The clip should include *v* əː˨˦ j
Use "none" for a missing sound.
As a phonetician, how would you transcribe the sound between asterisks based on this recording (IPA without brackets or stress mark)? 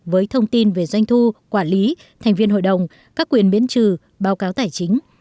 v